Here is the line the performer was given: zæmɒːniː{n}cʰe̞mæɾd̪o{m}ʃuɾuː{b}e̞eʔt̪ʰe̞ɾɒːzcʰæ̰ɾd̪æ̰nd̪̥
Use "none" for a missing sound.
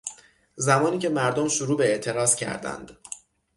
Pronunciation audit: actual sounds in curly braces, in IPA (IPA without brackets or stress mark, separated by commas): none, m, b